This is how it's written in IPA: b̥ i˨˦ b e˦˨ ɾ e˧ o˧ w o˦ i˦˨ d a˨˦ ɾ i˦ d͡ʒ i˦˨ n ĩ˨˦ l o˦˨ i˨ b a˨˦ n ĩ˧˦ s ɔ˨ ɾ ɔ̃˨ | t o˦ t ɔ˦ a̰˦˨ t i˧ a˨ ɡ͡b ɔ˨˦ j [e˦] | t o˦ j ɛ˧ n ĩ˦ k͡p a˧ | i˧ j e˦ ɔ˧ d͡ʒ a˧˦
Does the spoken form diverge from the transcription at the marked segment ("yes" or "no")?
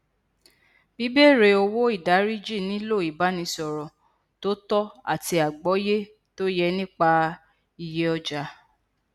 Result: no